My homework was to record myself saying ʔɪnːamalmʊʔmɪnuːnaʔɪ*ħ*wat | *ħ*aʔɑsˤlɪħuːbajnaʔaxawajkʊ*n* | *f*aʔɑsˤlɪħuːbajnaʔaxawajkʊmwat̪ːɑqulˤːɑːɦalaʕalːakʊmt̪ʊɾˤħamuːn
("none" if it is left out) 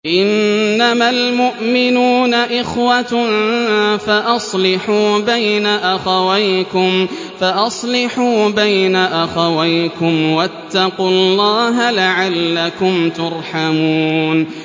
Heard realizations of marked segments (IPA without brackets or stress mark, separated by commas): x, f, m, f